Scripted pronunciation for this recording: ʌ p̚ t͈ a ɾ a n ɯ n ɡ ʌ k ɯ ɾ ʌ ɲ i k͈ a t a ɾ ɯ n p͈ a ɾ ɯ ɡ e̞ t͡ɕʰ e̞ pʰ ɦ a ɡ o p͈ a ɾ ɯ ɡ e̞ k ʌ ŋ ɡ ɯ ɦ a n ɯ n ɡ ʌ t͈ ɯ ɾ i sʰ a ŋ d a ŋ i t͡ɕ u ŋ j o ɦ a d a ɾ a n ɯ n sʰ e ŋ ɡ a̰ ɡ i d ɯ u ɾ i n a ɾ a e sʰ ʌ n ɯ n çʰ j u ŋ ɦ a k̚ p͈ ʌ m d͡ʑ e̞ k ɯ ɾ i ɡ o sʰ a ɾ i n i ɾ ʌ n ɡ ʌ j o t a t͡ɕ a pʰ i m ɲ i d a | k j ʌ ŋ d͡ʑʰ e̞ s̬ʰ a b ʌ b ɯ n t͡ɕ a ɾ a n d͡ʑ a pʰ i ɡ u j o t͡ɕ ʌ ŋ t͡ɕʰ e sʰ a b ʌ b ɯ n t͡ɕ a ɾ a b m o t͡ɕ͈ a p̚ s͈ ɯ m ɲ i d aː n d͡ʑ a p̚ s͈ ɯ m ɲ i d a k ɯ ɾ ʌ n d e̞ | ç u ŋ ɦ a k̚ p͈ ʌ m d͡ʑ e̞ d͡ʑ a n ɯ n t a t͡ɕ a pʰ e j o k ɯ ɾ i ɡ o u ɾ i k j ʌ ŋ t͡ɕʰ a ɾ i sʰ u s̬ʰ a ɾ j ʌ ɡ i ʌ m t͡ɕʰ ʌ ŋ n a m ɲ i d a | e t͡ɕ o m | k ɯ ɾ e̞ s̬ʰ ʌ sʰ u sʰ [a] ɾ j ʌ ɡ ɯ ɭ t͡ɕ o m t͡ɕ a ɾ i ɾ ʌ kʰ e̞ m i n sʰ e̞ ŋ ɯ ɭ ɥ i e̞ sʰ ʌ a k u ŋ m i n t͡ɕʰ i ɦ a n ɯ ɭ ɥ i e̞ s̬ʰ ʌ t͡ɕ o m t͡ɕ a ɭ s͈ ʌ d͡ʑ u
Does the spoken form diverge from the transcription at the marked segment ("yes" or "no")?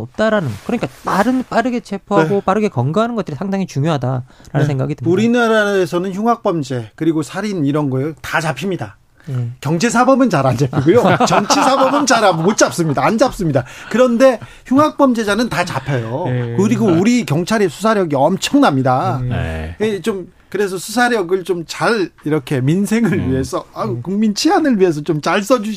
no